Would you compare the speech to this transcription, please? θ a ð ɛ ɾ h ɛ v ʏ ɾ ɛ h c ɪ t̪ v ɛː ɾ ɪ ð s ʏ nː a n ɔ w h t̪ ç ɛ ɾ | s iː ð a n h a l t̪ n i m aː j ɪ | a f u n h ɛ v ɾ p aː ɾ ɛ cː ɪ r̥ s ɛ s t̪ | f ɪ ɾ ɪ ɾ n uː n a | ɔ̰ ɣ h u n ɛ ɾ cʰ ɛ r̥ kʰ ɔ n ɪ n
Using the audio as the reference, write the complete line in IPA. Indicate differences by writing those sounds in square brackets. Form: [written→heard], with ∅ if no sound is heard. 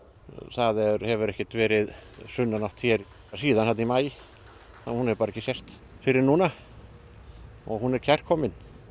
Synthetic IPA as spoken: θ a ð ɛ ɾ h ɛ v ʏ ɾ ɛ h c ɪ t̪ v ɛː ɾ ɪ ð s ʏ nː a n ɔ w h t̪ ç ɛ ɾ | s iː ð a n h a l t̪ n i m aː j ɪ | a [f→h] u n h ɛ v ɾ p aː ɾ ɛ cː ɪ [r̥→∅] s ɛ s t̪ | f ɪ ɾ ɪ ɾ n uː n a | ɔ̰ ɣ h u n ɛ ɾ cʰ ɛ r̥ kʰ ɔ [n→m] ɪ n